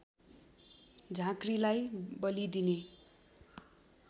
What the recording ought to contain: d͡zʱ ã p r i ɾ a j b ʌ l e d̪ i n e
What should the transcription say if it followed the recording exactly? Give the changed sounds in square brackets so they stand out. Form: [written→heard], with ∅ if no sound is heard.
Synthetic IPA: d͡zʱ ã [p→k] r i [ɾ→l] a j b ʌ l [e→i] d̪ i n e